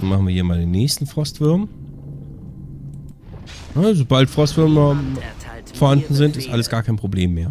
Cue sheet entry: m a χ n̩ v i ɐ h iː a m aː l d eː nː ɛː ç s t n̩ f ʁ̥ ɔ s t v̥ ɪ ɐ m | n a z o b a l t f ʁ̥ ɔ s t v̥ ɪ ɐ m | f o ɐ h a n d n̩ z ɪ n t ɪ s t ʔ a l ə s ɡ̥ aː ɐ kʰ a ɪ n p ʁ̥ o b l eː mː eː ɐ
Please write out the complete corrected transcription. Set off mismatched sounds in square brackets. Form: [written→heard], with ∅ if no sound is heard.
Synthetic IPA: m a χ n̩ v i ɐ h iː [a→ɐ] m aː l d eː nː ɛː ç s t n̩ f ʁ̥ ɔ s t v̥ ɪ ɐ m | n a z o b a l t f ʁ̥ ɔ s t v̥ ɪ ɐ m | f o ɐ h a n d n̩ z ɪ n t ɪ s t ʔ a l ə s ɡ̥ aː ɐ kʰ a ɪ n p ʁ̥ o b l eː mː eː ɐ